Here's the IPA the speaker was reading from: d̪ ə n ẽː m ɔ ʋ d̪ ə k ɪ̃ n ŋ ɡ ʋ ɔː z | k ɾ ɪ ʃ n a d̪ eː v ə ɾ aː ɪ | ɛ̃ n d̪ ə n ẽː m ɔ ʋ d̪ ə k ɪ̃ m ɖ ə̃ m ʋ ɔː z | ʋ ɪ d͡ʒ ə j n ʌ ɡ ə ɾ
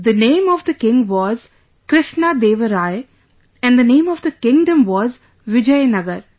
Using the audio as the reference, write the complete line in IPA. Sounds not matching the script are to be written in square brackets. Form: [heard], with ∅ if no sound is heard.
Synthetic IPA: d̪ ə n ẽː m ɔ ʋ d̪ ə k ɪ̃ [∅] ŋ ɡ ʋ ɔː z | k ɾ ɪ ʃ n a d̪ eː [ʋ] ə ɾ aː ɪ | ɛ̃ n d̪ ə n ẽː m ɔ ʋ d̪ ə k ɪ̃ [ŋ] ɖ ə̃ m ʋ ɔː z | ʋ ɪ d͡ʒ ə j n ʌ ɡ ə ɾ

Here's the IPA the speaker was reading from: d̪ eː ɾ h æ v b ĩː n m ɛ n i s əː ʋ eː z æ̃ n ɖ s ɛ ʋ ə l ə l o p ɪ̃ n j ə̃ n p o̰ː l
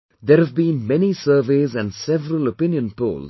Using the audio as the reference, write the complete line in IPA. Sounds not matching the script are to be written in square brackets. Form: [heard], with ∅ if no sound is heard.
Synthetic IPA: d̪ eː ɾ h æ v b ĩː n m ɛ n i s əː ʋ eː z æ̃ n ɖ s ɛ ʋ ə [ɾ] ə l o p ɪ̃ n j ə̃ n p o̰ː l

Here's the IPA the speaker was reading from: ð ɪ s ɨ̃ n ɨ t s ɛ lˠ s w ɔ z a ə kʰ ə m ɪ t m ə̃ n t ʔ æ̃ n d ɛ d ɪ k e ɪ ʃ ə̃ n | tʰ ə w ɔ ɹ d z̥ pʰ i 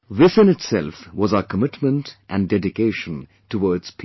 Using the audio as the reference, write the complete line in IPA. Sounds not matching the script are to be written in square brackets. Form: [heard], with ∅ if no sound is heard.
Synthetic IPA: ð ɪ s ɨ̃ n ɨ t s ɛ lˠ [f] w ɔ z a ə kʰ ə m ɪ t m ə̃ n t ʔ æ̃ n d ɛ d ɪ k e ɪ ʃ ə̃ n | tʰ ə w ɔ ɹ d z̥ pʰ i

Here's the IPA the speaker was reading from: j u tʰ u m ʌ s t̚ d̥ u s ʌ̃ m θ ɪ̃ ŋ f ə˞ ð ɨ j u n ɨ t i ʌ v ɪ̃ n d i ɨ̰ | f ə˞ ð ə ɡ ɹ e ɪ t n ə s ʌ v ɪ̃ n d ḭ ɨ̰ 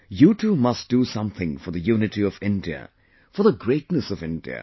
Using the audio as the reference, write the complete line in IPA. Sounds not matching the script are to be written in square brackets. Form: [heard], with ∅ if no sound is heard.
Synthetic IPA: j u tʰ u m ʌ s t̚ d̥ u s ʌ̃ m θ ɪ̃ ŋ f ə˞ ð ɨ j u n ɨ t i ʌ v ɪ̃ n d i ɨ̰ | f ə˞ ð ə ɡ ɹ e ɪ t n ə s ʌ v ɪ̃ n d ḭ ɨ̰

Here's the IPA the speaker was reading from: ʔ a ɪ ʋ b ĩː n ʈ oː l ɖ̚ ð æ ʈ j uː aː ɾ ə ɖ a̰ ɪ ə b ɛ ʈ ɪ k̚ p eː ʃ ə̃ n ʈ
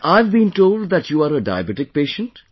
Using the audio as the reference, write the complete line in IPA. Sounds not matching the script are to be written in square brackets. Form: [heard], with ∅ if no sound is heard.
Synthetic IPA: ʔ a ɪ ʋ b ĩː n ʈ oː l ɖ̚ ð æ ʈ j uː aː ɾ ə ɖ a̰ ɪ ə b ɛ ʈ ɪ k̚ p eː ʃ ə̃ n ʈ

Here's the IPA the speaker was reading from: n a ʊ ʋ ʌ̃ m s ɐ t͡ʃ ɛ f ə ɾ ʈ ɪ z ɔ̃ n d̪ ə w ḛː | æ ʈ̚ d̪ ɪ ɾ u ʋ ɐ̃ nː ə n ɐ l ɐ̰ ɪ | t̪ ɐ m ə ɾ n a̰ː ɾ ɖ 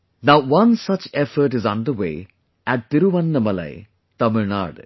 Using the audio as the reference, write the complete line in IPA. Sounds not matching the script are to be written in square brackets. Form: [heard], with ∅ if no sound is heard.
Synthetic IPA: n a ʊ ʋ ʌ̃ [n] s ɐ t͡ʃ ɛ f ə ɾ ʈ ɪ z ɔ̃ n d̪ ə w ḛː | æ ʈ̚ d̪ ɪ ɾ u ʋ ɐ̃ nː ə [m] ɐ l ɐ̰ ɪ | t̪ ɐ m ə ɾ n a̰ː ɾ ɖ

